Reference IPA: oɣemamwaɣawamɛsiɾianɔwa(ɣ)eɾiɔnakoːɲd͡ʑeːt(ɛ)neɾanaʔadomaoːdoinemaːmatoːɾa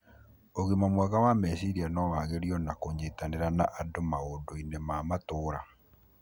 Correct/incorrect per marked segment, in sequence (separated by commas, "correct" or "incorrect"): correct, incorrect